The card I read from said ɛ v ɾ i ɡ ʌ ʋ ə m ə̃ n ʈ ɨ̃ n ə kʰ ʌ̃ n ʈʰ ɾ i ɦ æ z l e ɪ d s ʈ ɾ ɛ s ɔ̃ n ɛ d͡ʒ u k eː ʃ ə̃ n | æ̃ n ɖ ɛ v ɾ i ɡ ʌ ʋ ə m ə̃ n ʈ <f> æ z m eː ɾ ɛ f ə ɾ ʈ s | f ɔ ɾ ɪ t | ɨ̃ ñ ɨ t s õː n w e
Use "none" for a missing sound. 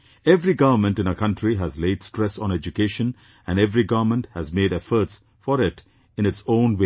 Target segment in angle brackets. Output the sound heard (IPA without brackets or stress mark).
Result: h